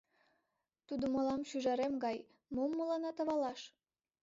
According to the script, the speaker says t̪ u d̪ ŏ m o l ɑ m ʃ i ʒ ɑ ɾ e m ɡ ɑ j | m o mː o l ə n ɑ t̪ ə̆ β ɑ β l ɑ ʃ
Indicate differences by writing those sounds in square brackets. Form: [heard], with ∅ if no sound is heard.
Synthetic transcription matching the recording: t̪ u d̪ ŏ m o l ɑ m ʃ [y] ʒ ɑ ɾ e m ɡ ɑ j | m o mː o l [ɑ] n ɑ t̪ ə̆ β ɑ [∅] l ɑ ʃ

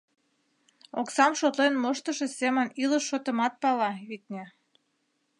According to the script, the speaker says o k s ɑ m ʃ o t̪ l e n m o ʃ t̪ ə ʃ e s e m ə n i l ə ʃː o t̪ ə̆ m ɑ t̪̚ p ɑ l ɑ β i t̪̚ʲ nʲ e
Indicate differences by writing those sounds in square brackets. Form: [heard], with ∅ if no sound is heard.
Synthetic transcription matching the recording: o k s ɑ m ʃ o t̪ l e n m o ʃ t̪ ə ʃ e s e m ə n i l ə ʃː o t̪ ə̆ m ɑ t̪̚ p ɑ l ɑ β i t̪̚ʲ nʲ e

